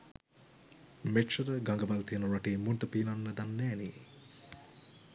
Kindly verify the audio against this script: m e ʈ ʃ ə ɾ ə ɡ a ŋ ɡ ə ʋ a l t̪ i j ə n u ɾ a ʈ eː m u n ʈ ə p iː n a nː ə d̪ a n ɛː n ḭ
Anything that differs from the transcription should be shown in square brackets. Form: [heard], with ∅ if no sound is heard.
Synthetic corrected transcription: m e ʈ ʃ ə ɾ ə ɡ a ŋ ɡ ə ʋ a l t̪ i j ə n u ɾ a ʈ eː m u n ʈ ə p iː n a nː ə d̪ a [nː] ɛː n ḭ